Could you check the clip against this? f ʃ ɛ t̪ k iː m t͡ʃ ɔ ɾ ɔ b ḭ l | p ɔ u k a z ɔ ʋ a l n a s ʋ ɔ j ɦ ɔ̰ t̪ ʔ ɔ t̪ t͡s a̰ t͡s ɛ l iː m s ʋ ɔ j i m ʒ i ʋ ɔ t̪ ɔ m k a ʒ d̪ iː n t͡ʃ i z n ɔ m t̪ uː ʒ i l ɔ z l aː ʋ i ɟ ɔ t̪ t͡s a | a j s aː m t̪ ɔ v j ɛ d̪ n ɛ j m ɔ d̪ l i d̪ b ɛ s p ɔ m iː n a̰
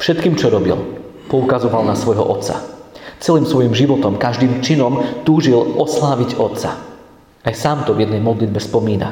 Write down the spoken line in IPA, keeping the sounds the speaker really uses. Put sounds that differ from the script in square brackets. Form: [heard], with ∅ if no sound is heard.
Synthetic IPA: f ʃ ɛ t̪ k iː m t͡ʃ ɔ ɾ ɔ b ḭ l | p ɔ u k a z ɔ ʋ a l n a s ʋ ɔ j ɦ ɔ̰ [∅] ʔ ɔ t̪ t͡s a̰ t͡s ɛ l iː m s ʋ ɔ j i m ʒ i ʋ ɔ t̪ ɔ m k a ʒ d̪ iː [m] t͡ʃ i [∅] n ɔ m t̪ uː ʒ i l ɔ [s] l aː ʋ i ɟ ɔ t̪ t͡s a | a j s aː m t̪ ɔ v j ɛ d̪ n ɛ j m ɔ d̪ l i d̪ b ɛ s p ɔ m iː n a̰